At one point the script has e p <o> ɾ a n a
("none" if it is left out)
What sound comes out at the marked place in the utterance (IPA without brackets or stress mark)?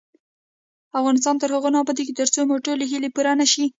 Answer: u